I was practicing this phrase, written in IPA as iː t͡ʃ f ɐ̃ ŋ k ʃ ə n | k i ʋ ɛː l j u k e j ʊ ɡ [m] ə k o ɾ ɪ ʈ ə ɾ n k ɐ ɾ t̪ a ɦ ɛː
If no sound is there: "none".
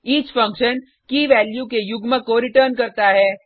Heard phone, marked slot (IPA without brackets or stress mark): m